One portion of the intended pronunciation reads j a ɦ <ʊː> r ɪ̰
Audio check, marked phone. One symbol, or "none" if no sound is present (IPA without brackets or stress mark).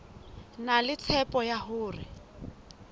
ʊː